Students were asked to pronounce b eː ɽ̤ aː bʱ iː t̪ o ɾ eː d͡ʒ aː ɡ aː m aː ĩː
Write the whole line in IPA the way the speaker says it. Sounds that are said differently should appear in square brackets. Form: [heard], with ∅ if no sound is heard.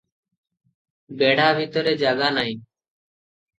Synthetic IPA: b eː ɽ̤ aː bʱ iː t̪ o ɾ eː d͡ʒ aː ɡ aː [n] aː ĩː